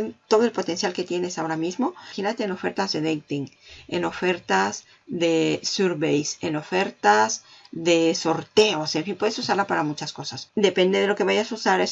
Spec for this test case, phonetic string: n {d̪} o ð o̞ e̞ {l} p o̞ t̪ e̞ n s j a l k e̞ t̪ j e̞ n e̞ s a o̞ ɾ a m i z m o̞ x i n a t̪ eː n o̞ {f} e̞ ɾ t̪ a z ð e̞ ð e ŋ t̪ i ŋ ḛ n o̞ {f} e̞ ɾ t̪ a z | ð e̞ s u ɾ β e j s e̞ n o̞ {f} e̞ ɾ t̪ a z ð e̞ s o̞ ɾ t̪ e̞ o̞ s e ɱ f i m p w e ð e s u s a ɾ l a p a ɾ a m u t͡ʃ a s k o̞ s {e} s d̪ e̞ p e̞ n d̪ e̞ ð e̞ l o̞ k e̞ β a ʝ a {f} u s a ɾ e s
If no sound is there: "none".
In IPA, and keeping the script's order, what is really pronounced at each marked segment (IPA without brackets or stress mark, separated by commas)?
t̪, l, f, f, f, a, s